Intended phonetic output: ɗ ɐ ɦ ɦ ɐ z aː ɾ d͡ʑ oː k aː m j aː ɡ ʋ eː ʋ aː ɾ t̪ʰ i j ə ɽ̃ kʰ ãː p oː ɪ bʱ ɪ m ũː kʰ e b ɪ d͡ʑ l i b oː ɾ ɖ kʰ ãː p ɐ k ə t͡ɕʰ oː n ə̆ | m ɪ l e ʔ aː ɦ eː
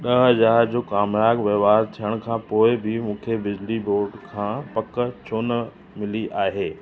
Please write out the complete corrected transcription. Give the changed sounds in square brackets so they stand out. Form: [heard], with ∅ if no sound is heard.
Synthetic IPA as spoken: ɗ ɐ ɦ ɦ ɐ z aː ɾ d͡ʑ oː k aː m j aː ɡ ʋ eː ʋ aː ɾ t̪ʰ i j ə ɽ̃ kʰ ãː p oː ɪ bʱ ɪ m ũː kʰ e b ɪ d͡ʑ l i b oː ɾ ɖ kʰ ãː p ɐ k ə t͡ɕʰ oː n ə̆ | m ɪ l [i] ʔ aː ɦ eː